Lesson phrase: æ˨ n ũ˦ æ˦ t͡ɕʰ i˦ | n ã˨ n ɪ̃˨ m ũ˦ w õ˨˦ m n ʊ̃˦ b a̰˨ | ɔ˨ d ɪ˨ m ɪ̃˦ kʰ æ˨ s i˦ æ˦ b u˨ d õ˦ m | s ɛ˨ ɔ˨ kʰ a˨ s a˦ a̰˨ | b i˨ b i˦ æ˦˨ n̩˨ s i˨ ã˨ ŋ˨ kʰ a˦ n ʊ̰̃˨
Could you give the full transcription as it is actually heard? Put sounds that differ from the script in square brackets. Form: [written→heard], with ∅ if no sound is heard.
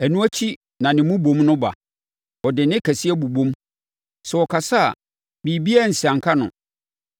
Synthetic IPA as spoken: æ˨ n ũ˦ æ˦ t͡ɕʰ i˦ | n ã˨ n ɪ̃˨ m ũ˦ [w→b] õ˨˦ m n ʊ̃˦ b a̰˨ | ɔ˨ d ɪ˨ [m→n] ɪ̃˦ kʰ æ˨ s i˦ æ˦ b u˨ [d→b] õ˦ m | s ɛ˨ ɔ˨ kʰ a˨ s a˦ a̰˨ | b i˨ b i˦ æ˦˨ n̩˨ s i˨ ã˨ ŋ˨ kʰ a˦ n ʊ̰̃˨